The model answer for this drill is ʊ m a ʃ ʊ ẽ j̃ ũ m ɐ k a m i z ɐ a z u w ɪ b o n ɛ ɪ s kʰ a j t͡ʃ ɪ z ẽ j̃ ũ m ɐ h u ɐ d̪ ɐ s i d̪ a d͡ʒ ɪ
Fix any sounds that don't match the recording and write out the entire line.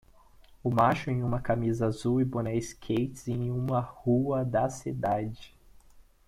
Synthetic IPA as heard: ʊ m a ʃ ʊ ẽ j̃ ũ m ɐ k a m i z ɐ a z u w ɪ b o n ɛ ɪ s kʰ e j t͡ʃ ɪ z ẽ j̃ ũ m ɐ h u ɐ d̪ ɐ s i d̪ a d͡ʒ ɪ